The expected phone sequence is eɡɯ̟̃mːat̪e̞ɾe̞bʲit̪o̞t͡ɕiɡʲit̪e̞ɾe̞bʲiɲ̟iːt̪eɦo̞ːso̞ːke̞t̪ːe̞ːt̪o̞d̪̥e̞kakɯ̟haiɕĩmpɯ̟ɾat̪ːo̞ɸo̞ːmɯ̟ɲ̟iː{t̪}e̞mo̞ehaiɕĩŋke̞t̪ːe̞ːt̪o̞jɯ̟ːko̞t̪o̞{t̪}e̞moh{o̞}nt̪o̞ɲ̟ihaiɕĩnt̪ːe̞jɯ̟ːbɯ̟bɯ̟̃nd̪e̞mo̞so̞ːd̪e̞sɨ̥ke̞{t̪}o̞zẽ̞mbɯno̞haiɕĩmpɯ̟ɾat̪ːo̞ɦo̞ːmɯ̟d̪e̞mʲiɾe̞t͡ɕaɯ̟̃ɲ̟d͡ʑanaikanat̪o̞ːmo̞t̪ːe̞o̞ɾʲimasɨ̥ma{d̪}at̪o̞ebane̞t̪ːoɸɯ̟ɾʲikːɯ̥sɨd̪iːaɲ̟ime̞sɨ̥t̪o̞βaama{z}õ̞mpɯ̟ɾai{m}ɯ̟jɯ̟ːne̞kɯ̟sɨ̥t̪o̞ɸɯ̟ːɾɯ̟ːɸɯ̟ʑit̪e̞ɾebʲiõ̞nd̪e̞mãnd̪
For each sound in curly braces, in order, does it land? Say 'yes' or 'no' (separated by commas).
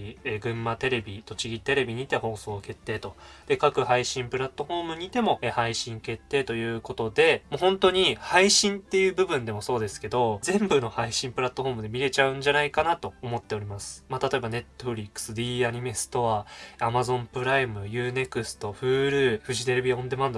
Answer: yes, no, no, no, no, yes, yes